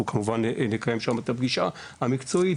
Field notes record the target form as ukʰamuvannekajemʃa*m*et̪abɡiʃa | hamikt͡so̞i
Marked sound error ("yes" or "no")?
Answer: no